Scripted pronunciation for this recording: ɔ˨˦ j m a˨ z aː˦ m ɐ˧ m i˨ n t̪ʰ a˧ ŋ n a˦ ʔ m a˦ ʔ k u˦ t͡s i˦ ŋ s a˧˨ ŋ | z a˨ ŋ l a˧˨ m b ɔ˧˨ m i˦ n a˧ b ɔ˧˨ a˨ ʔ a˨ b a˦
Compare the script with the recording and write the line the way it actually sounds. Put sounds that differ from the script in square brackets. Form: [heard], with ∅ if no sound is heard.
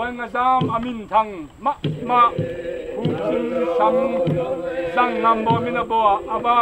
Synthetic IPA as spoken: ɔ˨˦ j [ŋ] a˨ z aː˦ m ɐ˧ m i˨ n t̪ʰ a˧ ŋ [m] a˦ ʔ m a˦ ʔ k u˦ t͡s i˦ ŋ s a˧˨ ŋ | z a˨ ŋ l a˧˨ m b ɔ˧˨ m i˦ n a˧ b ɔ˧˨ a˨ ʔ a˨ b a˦